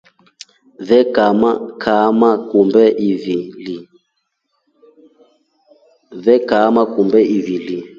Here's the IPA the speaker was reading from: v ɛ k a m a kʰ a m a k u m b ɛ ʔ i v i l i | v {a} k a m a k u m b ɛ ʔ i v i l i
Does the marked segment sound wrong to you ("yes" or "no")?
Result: yes